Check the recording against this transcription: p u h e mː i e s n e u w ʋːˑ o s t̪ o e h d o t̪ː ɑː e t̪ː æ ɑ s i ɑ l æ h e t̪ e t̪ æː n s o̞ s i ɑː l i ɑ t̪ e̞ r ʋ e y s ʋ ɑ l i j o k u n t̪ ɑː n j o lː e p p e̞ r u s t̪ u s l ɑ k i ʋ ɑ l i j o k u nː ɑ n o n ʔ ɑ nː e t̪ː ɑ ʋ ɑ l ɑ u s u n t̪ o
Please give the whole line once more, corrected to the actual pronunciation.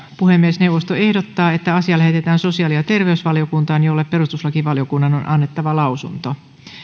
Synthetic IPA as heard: p u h e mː i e s n e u w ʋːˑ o s t̪ o e h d o t̪ː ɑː e t̪ː æ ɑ s i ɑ l æ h e t̪ e t̪ æː n s o̞ s i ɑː l i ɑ t̪ e̞ r ʋ e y s ʋ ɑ l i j o k u n t̪ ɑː n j o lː e p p e̞ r u s t̪ u s l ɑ k i ʋ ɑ l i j o k u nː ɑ n o n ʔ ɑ nː e t̪ː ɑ ʋ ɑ l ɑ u s u n t̪ o